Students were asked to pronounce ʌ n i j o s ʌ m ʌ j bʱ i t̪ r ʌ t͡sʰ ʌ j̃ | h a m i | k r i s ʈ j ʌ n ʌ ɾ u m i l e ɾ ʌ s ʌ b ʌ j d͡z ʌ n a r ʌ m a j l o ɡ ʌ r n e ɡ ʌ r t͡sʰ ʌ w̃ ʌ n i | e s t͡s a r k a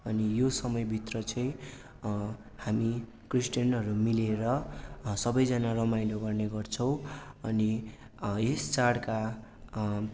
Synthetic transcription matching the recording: ʌ n i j o s ʌ m ʌ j bʱ i t̪ r ʌ t͡sʰ ʌ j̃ | h a m i | k r i s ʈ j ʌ n ʌ ɾ u m i l e ɾ ʌ s ʌ b ʌ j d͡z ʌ n a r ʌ m a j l o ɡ ʌ r n e ɡ ʌ r t͡sʰ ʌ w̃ ʌ n i | e s t͡s a ɽ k a